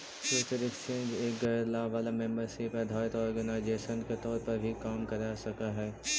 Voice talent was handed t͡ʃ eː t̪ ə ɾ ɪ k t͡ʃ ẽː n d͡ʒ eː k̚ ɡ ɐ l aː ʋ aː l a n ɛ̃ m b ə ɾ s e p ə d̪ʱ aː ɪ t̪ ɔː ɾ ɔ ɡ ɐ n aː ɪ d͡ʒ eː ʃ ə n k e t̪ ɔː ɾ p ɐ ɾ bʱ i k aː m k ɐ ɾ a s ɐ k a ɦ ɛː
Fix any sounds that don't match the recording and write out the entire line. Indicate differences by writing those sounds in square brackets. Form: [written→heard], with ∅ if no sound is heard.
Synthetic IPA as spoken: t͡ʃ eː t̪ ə ɾ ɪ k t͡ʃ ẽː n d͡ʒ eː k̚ ɡ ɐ l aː ʋ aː l a [n→m] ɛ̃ m b ə ɾ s e p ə d̪ʱ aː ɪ t̪ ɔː ɾ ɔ ɡ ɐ n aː ɪ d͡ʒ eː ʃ ə n k e t̪ ɔː ɾ p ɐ ɾ bʱ i k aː m k ɐ ɾ a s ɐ k a ɦ ɛː